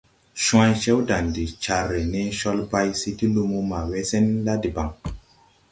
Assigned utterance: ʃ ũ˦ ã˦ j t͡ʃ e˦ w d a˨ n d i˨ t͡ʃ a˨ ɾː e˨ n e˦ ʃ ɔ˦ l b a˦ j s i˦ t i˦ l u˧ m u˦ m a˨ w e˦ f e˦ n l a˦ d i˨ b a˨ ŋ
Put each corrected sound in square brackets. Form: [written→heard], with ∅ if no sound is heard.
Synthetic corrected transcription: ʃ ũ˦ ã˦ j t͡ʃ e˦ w d a˨ n d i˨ t͡ʃ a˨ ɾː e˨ n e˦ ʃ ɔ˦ l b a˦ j s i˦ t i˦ l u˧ m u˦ m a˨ w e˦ [f→s] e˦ n l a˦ d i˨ b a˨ ŋ

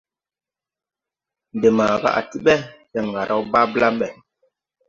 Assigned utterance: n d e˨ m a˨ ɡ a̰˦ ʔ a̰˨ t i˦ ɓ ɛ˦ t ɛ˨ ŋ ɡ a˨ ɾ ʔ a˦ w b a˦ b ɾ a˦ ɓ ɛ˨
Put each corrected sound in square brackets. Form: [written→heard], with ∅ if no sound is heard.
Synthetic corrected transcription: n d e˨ m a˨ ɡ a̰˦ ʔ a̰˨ t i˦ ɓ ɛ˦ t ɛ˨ ŋ ɡ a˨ ɾ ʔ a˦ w b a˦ b [ɾ→l] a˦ ɓ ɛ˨

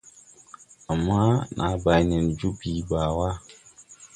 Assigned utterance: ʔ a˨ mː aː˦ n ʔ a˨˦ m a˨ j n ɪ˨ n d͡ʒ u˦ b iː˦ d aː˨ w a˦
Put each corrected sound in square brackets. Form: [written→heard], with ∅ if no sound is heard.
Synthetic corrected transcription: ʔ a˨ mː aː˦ n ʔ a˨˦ [m→b] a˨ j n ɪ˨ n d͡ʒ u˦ b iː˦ [d→b] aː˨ w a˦

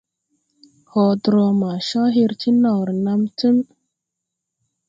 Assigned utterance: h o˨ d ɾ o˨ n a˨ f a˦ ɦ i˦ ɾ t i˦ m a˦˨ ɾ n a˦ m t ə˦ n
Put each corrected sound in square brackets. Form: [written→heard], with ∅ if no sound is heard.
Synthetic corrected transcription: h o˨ d ɾ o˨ [n→m] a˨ [f→ʃ] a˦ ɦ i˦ ɾ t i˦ [m→n] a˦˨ ɾ n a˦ m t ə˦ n

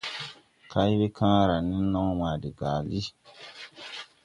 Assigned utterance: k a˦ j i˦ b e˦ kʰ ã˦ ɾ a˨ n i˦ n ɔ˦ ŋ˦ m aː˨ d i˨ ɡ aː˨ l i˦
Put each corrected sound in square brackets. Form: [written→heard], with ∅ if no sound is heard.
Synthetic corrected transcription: k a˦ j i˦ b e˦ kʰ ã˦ ɾ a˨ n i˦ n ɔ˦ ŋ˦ m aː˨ d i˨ ɡ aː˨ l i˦

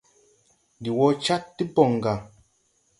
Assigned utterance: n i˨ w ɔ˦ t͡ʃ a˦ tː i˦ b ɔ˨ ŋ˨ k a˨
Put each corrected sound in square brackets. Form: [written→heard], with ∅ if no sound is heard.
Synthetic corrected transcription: [n→d] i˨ w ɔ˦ t͡ʃ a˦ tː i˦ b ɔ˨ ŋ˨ [k→ɡ] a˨

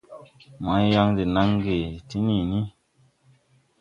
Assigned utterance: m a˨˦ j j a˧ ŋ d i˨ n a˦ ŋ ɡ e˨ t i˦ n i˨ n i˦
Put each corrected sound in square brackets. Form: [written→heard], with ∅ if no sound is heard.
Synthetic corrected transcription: m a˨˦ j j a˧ ŋ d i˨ n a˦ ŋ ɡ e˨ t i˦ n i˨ n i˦

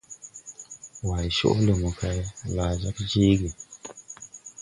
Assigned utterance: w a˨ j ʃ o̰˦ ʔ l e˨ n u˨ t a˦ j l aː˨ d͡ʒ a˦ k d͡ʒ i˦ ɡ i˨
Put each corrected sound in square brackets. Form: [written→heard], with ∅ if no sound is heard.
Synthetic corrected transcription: w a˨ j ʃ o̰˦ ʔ l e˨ [n→m] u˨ [t→k] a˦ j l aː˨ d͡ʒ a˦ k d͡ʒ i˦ ɡ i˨

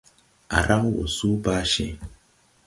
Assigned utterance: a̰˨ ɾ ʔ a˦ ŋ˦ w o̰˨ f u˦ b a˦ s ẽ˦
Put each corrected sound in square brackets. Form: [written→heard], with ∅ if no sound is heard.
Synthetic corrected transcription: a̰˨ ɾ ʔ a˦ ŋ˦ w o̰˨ [f→s] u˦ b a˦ [s→ʃ] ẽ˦

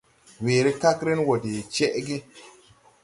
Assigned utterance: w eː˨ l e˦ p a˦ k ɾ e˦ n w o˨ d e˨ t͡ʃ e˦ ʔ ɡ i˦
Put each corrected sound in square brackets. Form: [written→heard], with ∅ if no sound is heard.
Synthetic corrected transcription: w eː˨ [l→ɾ] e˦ [p→k] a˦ k ɾ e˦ n w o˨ d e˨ t͡ʃ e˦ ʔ ɡ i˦

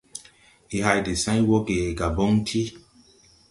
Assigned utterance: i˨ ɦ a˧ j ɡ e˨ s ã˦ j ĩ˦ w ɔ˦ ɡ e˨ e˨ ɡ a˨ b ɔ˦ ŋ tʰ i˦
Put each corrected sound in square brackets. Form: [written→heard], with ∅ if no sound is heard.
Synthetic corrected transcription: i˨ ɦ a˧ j [ɡ→d] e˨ s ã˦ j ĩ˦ w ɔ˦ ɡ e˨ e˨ ɡ a˨ b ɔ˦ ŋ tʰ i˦

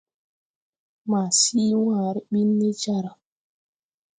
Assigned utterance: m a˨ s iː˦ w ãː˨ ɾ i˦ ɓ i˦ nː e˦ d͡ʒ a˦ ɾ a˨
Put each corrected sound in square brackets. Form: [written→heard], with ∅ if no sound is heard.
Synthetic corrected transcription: m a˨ s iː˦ w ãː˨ ɾ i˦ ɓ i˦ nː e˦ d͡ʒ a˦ ɾ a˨

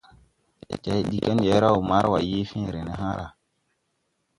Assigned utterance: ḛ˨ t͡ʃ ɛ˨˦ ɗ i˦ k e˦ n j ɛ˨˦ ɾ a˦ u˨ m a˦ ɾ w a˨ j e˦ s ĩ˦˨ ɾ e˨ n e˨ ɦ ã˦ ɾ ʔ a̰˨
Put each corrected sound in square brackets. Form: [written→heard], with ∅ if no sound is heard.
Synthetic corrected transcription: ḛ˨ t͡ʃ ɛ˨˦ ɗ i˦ k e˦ n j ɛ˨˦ ɾ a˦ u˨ m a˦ ɾ w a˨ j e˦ [s→f] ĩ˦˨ ɾ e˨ n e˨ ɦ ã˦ ɾ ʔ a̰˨

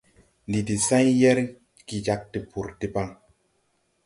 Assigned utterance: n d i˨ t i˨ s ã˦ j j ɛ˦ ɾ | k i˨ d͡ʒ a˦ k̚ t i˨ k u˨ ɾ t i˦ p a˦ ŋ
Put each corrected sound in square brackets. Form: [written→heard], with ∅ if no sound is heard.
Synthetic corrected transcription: n d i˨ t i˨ s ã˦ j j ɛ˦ ɾ | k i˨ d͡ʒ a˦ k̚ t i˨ [k→p] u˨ ɾ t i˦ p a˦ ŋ

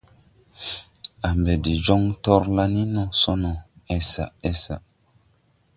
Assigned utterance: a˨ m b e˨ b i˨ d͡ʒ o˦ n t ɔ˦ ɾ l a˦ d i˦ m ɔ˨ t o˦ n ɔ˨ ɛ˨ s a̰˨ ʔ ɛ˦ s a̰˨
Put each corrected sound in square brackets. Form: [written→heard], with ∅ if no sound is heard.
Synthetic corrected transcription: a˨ m b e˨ [b→d] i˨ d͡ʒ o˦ [n→ŋ] t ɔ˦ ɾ l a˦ [d→n] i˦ [m→n] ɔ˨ [t→s] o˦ n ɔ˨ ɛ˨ s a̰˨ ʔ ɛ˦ s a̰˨

